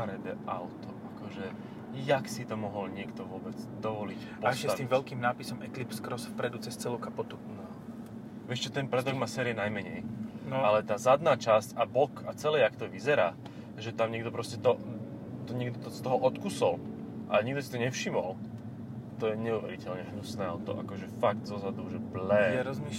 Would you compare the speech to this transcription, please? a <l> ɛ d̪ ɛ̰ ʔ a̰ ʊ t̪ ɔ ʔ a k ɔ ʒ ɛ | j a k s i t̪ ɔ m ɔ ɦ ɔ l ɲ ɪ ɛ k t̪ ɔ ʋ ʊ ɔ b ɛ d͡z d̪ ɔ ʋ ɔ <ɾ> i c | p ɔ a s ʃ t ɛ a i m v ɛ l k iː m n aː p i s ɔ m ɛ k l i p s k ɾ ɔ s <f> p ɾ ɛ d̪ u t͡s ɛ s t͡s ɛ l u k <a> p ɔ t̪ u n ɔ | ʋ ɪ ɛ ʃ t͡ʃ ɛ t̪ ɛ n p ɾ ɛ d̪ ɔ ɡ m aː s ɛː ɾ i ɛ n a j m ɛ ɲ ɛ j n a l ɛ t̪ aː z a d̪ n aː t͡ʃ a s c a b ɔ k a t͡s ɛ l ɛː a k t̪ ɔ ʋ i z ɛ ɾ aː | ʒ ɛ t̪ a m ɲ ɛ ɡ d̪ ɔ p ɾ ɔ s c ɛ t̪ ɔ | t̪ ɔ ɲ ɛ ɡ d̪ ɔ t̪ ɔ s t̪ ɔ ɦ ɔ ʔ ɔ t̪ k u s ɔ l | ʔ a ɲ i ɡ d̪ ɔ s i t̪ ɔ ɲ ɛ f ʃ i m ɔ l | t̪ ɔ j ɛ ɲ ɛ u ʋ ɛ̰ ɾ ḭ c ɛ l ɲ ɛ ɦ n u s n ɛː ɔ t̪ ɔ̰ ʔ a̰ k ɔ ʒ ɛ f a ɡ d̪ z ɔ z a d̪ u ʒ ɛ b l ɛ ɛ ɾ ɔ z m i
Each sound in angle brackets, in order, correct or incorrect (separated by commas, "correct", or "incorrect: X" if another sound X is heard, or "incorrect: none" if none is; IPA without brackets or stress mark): incorrect: ɾ, incorrect: l, correct, correct